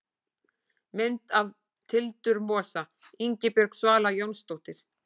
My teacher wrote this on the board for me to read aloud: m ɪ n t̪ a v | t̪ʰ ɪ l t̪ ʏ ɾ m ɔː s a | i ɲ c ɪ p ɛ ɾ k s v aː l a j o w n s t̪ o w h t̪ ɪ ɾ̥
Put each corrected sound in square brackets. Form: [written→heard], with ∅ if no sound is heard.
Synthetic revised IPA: m ɪ n t̪ a v | t̪ʰ ɪ l t̪ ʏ ɾ m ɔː s a | i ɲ c ɪ p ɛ ɾ k s v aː l a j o w n s t̪ o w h t̪ ɪ ɾ̥